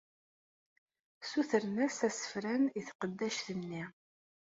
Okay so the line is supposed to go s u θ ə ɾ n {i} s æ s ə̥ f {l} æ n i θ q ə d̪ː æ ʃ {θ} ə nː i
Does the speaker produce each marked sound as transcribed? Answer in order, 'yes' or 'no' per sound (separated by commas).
no, no, yes